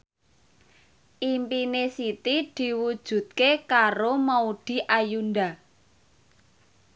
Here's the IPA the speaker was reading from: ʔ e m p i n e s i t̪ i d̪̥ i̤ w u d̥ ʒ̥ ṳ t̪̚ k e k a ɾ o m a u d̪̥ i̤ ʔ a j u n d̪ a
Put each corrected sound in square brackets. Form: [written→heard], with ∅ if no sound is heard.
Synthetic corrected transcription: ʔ [e→i] m p i n e s i t̪ i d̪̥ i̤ w u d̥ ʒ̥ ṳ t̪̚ k e k a ɾ o m a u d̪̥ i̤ ʔ a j u n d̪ a